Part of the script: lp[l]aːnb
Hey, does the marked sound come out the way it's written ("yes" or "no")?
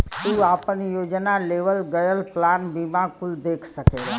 yes